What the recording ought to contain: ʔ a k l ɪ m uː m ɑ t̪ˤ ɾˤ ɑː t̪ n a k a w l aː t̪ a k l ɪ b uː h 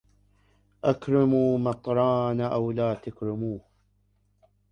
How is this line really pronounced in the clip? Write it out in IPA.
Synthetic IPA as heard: ʔ a k ɾ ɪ m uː m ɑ t̪ˤ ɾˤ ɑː n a ʔ a w l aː t̪ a k ɾ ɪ m uː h